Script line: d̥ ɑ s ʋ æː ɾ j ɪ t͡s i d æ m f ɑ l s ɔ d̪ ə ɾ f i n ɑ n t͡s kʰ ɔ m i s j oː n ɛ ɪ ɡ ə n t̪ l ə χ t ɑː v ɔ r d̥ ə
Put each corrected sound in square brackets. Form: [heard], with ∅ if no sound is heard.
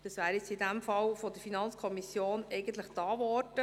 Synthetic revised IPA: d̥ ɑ s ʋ æː ɾ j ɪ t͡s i d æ m f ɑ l [f] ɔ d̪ ə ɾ f i n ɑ n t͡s kʰ ɔ m i s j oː n ɛ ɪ ɡ ə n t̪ l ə χ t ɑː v ɔ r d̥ ə